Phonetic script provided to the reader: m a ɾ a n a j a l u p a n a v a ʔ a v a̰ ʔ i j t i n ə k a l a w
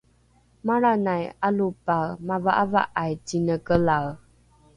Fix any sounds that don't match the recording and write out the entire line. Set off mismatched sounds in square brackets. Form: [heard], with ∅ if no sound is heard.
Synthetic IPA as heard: m a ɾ a n a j a l u p a [m] a v a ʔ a v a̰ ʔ [a] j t i n ə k [ə] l a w